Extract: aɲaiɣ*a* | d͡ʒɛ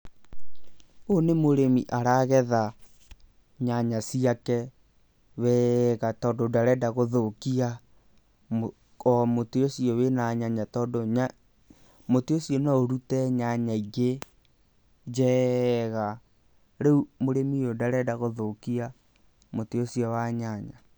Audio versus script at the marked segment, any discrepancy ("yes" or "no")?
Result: yes